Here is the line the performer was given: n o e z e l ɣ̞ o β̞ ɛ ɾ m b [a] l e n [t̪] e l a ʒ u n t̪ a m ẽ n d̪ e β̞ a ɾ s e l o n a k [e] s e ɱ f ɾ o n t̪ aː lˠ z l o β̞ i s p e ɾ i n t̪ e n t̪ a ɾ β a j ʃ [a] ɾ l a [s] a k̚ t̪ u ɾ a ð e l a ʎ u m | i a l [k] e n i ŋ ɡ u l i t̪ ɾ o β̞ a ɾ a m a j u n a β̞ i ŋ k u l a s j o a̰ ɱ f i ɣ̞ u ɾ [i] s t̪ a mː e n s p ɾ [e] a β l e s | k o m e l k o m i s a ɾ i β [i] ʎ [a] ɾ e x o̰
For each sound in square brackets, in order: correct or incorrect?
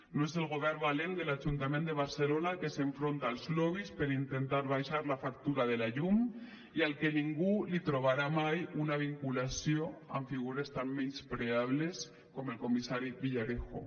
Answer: correct, incorrect, correct, correct, incorrect, correct, incorrect, correct, correct, correct

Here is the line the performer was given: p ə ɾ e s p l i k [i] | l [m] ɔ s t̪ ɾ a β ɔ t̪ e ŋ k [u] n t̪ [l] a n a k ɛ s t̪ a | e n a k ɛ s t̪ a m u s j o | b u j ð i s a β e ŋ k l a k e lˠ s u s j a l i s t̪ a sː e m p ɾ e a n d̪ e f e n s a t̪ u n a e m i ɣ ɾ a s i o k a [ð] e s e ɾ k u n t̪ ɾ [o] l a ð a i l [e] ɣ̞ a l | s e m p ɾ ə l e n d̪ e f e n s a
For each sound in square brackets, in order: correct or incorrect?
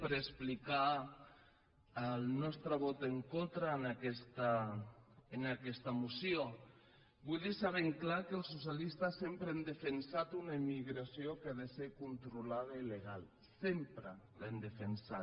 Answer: incorrect, incorrect, incorrect, incorrect, correct, incorrect, correct

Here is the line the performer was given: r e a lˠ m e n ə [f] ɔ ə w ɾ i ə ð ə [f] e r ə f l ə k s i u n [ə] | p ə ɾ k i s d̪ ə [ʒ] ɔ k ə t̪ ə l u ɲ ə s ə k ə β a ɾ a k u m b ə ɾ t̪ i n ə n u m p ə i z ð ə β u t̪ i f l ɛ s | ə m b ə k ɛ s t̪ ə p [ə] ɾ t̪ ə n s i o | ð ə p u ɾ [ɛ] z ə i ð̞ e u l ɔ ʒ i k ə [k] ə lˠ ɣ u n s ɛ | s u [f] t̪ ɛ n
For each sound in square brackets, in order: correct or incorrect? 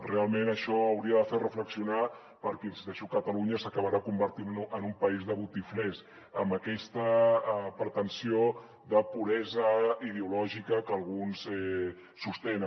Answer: incorrect, correct, incorrect, incorrect, correct, correct, correct, incorrect

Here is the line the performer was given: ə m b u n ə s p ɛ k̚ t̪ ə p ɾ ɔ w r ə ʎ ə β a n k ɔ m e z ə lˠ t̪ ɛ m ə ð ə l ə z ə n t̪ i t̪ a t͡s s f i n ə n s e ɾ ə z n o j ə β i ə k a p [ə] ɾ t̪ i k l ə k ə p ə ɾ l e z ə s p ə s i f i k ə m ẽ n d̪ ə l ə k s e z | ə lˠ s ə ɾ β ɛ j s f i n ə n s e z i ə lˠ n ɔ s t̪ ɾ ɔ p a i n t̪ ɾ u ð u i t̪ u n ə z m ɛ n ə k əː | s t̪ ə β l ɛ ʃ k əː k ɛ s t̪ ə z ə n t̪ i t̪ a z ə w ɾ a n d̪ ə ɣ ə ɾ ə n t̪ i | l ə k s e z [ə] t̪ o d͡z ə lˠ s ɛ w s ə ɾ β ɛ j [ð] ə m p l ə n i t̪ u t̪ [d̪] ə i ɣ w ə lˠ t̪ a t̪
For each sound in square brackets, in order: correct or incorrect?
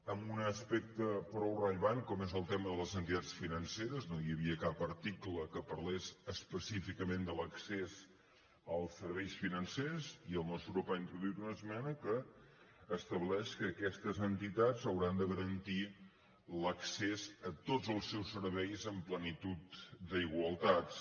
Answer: correct, correct, incorrect, correct

